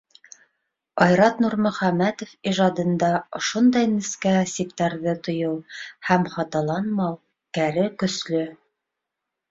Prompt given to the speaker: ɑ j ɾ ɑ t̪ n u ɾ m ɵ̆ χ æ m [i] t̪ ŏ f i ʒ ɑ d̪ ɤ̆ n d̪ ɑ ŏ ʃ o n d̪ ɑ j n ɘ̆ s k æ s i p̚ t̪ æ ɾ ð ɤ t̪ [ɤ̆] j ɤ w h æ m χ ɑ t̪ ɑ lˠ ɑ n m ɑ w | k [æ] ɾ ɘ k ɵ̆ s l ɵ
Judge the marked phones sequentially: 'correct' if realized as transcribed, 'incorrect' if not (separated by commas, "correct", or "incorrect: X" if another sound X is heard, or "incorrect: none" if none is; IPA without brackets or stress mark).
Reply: incorrect: æ, incorrect: ŏ, correct